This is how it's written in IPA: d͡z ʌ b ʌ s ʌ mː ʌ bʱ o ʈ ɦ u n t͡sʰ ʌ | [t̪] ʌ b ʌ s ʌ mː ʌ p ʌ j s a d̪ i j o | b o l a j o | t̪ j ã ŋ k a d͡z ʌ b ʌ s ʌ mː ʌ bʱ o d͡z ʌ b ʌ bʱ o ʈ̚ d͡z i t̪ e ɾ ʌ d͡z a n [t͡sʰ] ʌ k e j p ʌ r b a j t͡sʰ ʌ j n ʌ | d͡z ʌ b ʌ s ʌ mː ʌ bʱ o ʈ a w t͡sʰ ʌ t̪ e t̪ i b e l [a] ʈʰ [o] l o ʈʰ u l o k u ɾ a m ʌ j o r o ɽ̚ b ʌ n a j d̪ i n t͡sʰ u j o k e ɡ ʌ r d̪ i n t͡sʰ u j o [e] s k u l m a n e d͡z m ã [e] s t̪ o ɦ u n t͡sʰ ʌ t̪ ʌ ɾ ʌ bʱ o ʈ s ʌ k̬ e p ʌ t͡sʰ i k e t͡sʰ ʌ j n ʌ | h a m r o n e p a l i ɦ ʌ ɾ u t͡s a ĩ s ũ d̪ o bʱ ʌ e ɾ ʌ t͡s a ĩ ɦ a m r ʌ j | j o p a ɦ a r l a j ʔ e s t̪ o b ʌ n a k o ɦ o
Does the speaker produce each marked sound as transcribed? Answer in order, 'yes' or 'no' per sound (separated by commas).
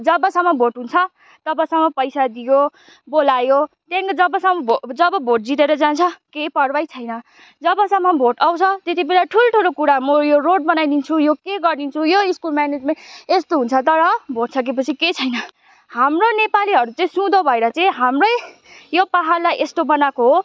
yes, yes, yes, no, no, yes